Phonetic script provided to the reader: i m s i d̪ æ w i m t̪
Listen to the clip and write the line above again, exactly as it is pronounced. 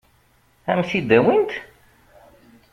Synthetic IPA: æ m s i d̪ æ w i n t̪